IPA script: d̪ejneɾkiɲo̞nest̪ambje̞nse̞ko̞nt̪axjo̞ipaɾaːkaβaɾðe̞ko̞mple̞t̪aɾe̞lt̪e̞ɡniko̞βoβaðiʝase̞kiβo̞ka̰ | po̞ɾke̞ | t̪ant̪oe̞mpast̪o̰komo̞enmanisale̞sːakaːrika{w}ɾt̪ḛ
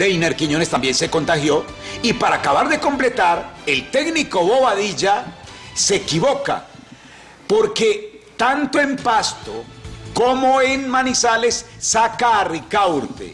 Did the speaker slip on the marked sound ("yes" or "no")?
no